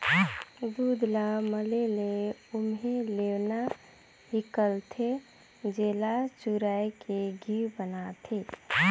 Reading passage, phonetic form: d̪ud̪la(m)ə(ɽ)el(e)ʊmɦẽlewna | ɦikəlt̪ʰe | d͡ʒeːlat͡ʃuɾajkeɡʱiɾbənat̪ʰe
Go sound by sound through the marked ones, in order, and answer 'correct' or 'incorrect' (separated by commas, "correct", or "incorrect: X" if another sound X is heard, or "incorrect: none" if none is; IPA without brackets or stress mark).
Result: correct, incorrect: l, correct